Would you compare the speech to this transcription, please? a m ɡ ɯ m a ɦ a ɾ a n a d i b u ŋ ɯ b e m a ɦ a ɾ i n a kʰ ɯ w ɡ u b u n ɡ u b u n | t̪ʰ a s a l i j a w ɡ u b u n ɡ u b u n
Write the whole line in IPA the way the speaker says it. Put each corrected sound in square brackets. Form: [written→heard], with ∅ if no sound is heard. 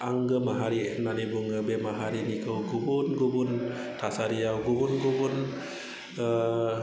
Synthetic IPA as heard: a [m→ŋ] ɡ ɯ m a ɦ a ɾ [a→i] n a [d→n] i b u ŋ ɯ b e m a ɦ a ɾ i n [a→i] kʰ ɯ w ɡ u b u n ɡ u b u n | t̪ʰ a s a [l→ɾ] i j a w ɡ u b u n ɡ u b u n